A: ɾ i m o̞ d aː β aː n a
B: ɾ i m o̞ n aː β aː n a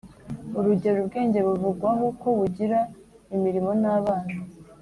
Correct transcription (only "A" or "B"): B